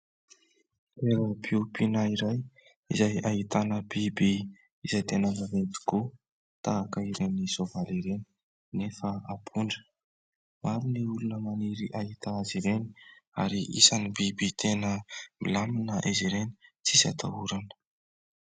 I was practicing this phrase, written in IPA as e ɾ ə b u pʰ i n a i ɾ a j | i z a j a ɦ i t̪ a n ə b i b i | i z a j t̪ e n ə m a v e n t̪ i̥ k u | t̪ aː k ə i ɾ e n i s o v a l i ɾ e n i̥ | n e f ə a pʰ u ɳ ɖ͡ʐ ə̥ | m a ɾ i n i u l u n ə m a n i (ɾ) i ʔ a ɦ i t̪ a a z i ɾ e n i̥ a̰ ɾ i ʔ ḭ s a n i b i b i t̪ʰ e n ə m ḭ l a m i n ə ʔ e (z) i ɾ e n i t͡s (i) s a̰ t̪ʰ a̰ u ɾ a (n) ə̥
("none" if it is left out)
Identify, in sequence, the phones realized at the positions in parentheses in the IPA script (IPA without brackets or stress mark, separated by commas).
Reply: ɾ, z, i, n